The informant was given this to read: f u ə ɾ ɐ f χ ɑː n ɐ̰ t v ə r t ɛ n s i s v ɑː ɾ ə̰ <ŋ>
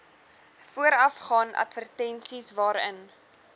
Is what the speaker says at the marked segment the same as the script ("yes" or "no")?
no